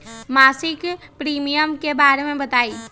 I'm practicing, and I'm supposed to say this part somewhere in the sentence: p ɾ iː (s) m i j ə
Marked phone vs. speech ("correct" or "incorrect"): incorrect